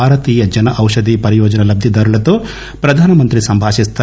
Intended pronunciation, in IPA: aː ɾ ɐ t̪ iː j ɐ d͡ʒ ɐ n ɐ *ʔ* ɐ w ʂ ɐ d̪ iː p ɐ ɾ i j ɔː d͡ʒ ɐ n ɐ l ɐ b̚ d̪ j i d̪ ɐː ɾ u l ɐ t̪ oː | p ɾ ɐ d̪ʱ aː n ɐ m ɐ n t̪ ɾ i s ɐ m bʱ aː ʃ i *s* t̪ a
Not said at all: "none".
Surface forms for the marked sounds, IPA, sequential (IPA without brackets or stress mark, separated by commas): ʔ, s